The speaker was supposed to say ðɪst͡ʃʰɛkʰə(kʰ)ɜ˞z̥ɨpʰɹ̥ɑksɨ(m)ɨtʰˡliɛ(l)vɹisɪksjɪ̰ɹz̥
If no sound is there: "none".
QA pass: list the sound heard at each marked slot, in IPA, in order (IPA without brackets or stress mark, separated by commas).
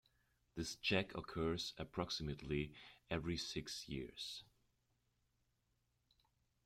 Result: kʰ, m, none